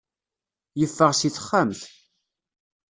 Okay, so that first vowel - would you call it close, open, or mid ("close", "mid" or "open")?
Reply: mid